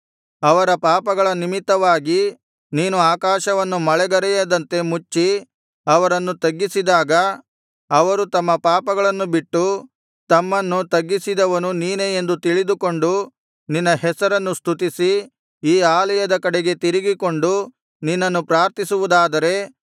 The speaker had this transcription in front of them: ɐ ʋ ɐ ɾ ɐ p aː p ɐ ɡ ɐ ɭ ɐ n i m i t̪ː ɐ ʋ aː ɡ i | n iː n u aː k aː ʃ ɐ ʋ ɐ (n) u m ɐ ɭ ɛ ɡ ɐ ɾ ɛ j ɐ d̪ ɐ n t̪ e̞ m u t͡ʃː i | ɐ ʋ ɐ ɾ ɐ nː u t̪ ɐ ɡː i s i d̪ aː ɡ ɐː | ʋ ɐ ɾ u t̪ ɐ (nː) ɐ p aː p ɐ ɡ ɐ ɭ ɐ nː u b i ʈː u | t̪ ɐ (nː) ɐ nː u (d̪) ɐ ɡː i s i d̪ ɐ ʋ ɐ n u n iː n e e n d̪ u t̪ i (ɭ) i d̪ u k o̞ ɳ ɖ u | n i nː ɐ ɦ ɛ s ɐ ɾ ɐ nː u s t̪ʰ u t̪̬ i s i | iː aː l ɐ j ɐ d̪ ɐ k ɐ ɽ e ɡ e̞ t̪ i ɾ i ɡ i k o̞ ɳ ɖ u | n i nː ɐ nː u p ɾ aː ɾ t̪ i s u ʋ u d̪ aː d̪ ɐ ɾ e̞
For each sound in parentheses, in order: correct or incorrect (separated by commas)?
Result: incorrect, incorrect, incorrect, incorrect, correct